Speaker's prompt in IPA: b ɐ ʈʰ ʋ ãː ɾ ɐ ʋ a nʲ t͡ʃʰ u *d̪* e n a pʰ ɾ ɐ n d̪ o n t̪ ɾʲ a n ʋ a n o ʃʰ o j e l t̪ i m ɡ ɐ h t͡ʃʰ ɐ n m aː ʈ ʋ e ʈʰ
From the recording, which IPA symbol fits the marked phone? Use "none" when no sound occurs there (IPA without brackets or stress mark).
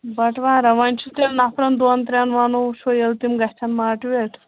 t̪